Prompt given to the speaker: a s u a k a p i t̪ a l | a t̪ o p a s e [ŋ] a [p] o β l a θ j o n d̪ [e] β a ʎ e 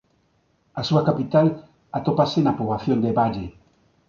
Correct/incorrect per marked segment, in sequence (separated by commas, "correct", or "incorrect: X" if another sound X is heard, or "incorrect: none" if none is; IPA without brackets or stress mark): incorrect: n, correct, correct